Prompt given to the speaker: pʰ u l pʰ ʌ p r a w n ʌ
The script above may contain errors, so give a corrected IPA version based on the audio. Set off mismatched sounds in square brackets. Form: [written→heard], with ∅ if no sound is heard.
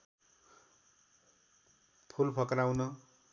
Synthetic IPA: pʰ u l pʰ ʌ [p→k] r a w n ʌ